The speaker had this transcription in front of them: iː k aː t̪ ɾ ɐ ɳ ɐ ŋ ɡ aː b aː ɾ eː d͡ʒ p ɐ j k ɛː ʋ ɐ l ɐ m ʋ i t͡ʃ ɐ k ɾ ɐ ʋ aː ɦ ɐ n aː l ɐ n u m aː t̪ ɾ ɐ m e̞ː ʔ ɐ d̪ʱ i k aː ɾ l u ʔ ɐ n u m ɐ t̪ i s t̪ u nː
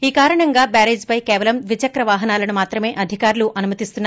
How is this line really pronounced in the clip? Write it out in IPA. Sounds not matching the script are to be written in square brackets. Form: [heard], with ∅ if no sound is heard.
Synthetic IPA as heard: iː k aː [∅] ɾ ɐ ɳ ɐ ŋ ɡ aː b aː ɾ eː d͡ʒ p ɐ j k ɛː ʋ ɐ l ɐ m ʋ i t͡ʃ ɐ k ɾ ɐ ʋ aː ɦ ɐ n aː l ɐ n u m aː t̪ ɾ ɐ m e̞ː ʔ ɐ d̪ʱ i k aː ɾ l u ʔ ɐ n u m ɐ t̪ i s t̪ u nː

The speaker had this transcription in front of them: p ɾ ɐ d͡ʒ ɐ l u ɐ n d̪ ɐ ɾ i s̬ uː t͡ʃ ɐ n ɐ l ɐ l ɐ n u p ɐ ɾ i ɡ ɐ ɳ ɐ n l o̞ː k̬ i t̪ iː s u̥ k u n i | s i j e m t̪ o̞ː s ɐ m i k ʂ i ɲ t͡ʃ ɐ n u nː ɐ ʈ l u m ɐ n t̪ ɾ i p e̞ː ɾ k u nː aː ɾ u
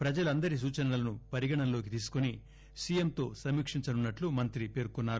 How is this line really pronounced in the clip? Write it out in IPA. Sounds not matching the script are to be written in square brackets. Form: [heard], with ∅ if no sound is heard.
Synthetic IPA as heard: p ɾ ɐ d͡ʒ ɐ l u ɐ n d̪ ɐ ɾ i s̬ uː t͡ʃ ɐ n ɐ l ɐ l ɐ n u p ɐ ɾ i ɡ ɐ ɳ ɐ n l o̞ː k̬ i t̪ iː s u̥ k u n i | s i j e m t̪ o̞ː s ɐ m i k ʂ i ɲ t͡ʃ ɐ n u nː ɐ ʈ l u m ɐ n t̪ ɾ i p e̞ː ɾ k u nː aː ɾ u

